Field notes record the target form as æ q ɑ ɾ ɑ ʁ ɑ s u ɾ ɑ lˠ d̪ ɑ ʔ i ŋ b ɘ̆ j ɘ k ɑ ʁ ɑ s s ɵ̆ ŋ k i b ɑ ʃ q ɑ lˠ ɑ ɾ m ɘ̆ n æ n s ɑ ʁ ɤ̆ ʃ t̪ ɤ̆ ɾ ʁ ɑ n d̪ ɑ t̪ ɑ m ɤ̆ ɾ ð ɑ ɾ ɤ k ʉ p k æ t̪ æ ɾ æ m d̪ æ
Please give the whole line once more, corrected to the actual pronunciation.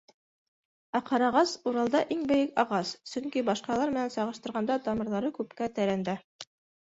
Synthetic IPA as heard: æ q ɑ ɾ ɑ ʁ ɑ s u ɾ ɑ lˠ d̪ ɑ ʔ i ŋ b ɘ̆ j ɘ k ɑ ʁ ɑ s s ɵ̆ ŋ k i b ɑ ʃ q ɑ lˠ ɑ ɾ m ɘ̆ n æ n s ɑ ʁ ɤ̆ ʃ t̪ ɤ̆ ɾ ʁ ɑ n d̪ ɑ t̪ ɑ m ɤ̆ ɾ ð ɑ ɾ ɤ k ʉ p k æ t̪ æ ɾ æ n d̪ æ